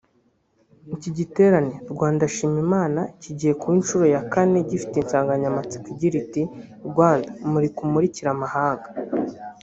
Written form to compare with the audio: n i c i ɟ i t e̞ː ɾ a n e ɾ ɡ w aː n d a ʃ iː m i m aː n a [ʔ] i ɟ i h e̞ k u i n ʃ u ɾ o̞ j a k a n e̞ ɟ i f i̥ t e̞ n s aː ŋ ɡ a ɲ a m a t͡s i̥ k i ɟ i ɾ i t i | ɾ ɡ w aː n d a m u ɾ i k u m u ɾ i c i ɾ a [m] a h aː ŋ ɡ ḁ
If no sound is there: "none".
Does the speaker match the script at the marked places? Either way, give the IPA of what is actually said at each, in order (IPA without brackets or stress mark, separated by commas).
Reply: c, m